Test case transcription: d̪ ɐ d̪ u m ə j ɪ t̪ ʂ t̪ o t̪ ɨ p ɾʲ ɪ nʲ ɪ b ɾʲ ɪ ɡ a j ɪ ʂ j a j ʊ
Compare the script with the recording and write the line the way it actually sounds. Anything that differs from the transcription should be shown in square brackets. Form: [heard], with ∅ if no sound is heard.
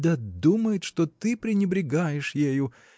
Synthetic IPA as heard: d̪ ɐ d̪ u m ə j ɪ t̪ ʂ t̪ o t̪ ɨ p ɾʲ ɪ nʲ ɪ b ɾʲ ɪ ɡ a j ɪ ʂ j [e] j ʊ

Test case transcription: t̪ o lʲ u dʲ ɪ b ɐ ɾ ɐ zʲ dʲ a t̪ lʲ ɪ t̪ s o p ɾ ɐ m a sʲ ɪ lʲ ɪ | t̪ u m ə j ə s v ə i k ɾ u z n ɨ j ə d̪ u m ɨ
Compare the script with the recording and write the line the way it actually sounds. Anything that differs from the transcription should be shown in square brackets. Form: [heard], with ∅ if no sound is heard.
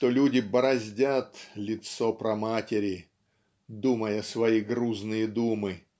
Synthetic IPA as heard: t̪ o lʲ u dʲ ɪ b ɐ ɾ ɐ zʲ dʲ a t̪ lʲ ɪ t̪ s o p ɾ ɐ m a [tʲ] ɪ [ɾʲ] ɪ | [d̪] u m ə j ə s v [ɐ] i [ɡ] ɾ u z n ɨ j ə d̪ u m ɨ

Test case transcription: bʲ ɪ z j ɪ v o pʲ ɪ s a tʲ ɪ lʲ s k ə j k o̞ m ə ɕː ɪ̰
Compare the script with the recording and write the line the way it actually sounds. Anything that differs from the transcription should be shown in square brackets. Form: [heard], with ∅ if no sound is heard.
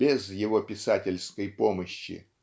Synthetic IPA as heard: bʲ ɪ z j ɪ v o pʲ ɪ s a tʲ ɪ lʲ s k ə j [p] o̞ m ə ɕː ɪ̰

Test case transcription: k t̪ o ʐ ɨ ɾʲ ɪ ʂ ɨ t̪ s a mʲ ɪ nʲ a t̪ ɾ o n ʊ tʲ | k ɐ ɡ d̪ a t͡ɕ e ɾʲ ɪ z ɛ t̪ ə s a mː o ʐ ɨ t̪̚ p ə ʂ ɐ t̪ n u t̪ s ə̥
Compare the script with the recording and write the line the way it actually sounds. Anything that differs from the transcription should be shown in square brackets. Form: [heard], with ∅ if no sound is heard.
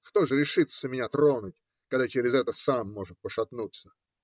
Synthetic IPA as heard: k t̪ o ʐ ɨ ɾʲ ɪ ʂ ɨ t̪ s [ə] mʲ ɪ nʲ a t̪ ɾ o n ʊ tʲ | k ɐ ɡ d̪ a t͡ɕ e ɾʲ ɪ z ɛ t̪ ə s a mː o ʐ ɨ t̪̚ p ə ʂ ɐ t̪ n u t̪ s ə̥

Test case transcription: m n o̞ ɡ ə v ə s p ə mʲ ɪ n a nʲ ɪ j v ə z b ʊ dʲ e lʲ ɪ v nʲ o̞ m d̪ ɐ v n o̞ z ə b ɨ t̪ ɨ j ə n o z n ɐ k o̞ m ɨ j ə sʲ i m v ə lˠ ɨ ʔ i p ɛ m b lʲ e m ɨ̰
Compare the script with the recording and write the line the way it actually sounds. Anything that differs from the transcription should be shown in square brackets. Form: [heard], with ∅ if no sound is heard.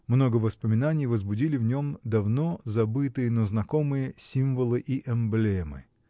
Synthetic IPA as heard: m n o̞ ɡ ə v ə s p ə mʲ ɪ n a nʲ ɪ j v ə z b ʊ dʲ [i] lʲ ɪ v nʲ o̞ m d̪ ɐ v n o̞ z [ɐ] b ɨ t̪ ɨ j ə n o z n ɐ k o̞ m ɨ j ə sʲ i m v ə lˠ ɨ ʔ i [ʔ] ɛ m b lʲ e m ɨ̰

